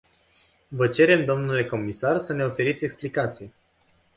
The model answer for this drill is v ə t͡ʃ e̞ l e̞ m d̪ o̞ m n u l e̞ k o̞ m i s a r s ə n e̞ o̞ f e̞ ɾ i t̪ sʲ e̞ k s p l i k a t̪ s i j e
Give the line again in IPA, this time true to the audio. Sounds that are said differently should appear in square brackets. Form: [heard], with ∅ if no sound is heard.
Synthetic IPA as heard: v ə t͡ʃ e̞ [ɾ] e̞ m d̪ o̞ m n u l e̞ k o̞ m i s a r s ə n e̞ o̞ f e̞ ɾ i t̪ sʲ e̞ k s p l i k a t̪ s i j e

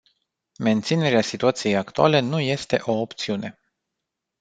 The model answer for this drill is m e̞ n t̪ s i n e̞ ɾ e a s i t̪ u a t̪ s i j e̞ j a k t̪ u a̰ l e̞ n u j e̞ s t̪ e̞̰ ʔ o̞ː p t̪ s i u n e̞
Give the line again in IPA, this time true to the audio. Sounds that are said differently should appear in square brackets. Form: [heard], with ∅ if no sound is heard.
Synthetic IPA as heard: m e̞ n t̪ s i n e̞ ɾ e a s i t̪ u a t̪ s i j e̞ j a k t̪ u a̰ l e̞ n u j e̞ s t̪ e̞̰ ʔ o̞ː p t̪ s i u n e̞

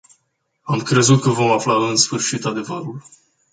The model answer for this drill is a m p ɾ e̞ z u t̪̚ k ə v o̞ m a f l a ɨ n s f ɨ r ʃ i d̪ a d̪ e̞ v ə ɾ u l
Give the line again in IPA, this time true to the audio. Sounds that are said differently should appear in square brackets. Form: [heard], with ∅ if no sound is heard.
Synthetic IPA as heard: a m [k] ɾ e̞ z u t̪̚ k ə v o̞ m a f l a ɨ n s f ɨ r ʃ i [t̪] a d̪ e̞ v ə ɾ u l

